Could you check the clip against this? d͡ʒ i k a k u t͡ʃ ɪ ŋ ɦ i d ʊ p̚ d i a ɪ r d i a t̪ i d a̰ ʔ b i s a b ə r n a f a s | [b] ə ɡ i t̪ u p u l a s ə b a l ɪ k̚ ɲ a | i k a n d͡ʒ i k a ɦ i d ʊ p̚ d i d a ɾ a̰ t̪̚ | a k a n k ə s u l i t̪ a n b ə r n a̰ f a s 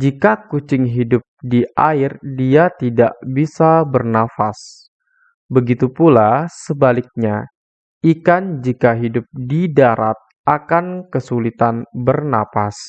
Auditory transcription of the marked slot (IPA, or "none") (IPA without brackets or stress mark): b